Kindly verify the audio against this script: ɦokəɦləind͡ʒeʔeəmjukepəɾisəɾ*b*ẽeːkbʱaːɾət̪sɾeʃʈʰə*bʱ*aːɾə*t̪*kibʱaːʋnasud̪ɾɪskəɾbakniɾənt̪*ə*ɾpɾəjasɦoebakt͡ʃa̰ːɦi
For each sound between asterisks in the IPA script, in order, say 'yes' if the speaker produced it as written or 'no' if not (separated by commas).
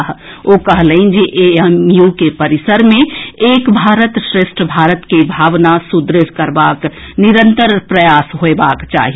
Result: no, yes, yes, yes